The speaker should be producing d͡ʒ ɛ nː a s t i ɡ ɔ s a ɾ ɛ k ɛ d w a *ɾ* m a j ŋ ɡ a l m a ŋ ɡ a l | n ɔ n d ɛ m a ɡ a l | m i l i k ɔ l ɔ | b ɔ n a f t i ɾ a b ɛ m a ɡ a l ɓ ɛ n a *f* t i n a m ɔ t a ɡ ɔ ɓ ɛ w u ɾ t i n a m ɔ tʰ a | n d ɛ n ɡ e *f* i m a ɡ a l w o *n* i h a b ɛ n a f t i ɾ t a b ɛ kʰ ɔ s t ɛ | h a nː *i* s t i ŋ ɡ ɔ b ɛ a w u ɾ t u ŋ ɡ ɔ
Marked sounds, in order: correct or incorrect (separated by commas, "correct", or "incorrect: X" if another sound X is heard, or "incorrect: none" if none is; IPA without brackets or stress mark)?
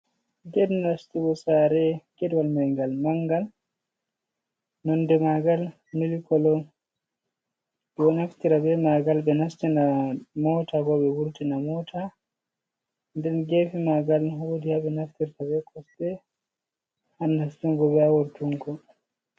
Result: incorrect: l, incorrect: s, correct, incorrect: d, incorrect: a